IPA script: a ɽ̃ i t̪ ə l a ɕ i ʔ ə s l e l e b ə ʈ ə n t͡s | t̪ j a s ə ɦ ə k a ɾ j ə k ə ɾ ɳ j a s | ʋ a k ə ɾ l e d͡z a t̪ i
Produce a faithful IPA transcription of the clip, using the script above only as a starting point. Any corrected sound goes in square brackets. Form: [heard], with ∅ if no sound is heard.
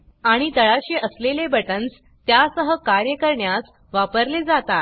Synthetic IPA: a ɽ̃ i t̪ ə [ɭ] a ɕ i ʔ ə s l e l e b ə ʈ ə n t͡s | t̪ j a s ə ɦ ə k a ɾ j ə k ə ɾ ɳ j a s | ʋ a [p] ə ɾ l e d͡z a t̪ [a]

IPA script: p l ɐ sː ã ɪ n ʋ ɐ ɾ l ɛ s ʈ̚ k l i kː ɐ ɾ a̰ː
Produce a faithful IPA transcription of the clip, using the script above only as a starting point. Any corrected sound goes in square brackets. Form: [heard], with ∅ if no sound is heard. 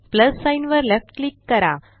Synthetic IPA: p l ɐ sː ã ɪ n ʋ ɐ ɾ l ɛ [f] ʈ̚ k l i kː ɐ ɾ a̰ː

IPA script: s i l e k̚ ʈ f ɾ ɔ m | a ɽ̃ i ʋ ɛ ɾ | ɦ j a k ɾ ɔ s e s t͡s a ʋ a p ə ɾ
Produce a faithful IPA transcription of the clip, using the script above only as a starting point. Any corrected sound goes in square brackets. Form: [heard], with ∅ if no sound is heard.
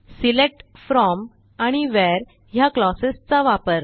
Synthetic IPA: s i l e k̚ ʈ f ɾ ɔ m | a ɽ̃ i ʋ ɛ ɾ | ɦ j a k [l] ɔ s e s t͡s a ʋ a p ə ɾ

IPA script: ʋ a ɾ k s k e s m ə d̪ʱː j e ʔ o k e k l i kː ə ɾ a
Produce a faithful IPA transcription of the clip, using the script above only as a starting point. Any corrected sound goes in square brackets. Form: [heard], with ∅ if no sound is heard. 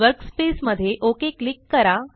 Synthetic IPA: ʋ [ə] ɾ k s [p] e s m ə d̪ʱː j e ʔ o k e k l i kː ə ɾ a

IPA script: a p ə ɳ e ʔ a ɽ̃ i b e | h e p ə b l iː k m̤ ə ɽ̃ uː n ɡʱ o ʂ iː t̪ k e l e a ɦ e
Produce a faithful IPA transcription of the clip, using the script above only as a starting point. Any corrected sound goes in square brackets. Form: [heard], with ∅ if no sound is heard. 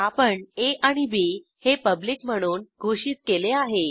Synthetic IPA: a p ə ɳ e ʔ a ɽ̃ i b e | h e p ə b l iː k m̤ ə ɽ̃ uː n ɡʱ o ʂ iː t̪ k e l e a ɦ e

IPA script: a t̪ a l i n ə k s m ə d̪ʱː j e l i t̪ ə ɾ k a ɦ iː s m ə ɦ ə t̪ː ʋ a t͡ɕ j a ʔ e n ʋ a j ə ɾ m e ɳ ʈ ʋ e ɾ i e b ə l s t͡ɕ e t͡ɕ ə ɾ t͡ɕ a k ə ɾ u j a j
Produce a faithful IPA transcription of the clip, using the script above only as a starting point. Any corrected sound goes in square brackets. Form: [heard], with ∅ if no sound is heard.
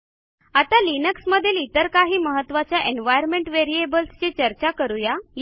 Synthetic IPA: a t̪ a l i n ə k s m ə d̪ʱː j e l i t̪ ə ɾ k a ɦ iː [∅] m ə ɦ ə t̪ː ʋ a t͡ɕ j a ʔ e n ʋ a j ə ɾ m e ɳ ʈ ʋ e ɾ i e b ə l s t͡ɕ e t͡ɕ ə ɾ t͡ɕ a k ə ɾ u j a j

